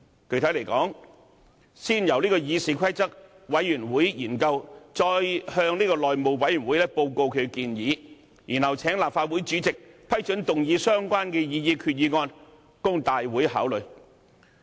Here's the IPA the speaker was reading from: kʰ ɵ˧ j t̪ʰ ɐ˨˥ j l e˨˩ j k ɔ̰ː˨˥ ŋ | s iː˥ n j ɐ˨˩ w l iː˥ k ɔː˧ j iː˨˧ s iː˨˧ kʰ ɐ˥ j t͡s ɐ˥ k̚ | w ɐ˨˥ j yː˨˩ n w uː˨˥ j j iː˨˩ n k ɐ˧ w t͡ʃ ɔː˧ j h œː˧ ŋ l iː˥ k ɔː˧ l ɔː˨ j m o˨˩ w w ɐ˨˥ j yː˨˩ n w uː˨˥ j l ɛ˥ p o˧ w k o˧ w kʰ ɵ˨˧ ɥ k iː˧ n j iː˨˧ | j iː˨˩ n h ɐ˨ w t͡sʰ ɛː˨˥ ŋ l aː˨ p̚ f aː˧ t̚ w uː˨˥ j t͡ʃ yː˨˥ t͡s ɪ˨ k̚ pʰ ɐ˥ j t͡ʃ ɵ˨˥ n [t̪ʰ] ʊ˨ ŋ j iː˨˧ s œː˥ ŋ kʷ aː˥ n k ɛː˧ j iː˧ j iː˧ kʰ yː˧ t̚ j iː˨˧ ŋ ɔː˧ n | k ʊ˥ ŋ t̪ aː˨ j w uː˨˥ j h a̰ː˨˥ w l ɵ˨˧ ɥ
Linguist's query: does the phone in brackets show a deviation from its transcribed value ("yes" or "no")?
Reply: yes